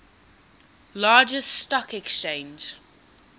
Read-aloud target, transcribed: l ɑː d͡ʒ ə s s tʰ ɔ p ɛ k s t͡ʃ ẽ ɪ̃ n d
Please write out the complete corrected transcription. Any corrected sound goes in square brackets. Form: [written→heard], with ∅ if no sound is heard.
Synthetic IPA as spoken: l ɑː d͡ʒ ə s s [tʰ→t] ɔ [p→k] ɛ k s t͡ʃ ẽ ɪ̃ n [d→d͡ʒ]